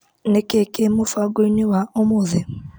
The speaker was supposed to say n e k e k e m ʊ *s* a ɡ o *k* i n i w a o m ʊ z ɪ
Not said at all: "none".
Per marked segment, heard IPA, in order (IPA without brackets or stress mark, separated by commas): f, none